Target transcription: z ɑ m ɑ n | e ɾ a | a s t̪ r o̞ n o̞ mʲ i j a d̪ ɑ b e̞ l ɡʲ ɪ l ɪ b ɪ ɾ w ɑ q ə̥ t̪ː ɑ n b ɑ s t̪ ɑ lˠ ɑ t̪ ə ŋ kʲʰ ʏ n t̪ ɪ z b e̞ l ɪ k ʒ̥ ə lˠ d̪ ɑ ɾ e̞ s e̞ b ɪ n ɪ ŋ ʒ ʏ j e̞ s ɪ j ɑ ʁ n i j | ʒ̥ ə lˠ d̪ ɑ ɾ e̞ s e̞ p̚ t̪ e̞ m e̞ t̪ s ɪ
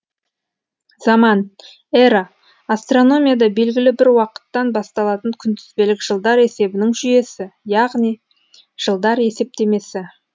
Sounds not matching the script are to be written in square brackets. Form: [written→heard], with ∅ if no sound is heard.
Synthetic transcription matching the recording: z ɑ m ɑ n | e ɾ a | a s t̪ r o̞ n o̞ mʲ i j a d̪ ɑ b e̞ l ɡʲ ɪ l ɪ b ɪ ɾ w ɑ q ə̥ t̪ː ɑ n b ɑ s t̪ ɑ lˠ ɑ t̪ ə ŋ kʲʰ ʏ n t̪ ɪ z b e̞ l ɪ k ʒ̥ ə lˠ d̪ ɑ ɾ e̞ s e̞ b ɪ n ɪ ŋ ʒ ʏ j e̞ s ɪ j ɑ ʁ n i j | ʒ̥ ə lˠ d̪ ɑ ɾ e̞ s e̞ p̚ t̪ e̞ m e̞ [t̪→∅] s ɪ